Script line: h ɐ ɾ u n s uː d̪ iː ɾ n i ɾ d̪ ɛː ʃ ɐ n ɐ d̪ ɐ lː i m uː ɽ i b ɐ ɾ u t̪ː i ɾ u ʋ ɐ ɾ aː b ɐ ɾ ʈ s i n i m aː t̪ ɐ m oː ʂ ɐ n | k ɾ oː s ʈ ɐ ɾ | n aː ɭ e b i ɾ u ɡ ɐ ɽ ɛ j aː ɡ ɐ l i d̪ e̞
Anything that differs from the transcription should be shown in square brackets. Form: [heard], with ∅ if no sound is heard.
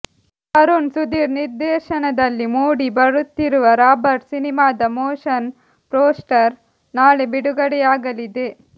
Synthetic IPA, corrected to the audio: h ɐ ɾ u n s [u] d̪ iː ɾ n i ɾ d̪ ɛː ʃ ɐ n ɐ d̪ ɐ lː i m uː ɽ i b ɐ ɾ u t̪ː i ɾ u ʋ ɐ ɾ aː b ɐ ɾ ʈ s i n i m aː [d̪] ɐ m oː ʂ ɐ n | [p] ɾ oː s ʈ ɐ ɾ | n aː ɭ e b i [ɽ] u ɡ ɐ ɽ ɛ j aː ɡ ɐ l i d̪ e̞